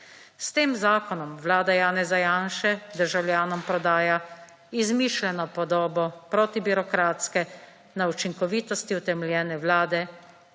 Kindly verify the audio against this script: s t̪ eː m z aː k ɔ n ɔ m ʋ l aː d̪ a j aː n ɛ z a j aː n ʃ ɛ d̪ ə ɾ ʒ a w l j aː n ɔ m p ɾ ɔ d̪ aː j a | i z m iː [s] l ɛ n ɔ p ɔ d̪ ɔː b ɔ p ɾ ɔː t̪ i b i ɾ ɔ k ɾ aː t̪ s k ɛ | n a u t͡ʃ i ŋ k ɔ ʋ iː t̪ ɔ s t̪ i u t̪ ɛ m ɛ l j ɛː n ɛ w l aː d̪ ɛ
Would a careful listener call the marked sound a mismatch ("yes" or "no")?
yes